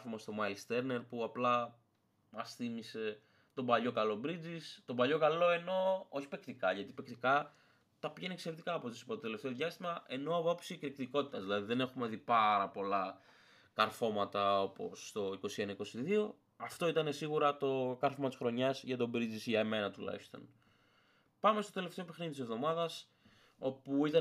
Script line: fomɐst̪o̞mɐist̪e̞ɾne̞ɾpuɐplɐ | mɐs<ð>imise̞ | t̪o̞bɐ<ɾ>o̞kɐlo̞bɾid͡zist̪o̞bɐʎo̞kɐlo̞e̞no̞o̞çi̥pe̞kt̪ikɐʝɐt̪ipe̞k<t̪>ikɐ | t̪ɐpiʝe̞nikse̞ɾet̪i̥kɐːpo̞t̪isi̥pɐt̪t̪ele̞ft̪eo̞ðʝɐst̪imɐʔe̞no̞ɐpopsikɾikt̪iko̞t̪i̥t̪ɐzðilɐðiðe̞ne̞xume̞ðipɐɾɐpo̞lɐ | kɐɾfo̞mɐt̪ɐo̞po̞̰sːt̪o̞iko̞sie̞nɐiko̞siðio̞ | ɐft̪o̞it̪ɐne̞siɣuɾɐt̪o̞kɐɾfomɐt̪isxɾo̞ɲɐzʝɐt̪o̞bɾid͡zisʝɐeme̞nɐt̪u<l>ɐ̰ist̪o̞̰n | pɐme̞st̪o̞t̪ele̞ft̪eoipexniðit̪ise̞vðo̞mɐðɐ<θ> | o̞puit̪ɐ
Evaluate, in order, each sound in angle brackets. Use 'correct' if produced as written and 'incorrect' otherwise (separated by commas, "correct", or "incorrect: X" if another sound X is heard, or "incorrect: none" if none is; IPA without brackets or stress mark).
incorrect: θ, incorrect: ʎ, correct, correct, incorrect: s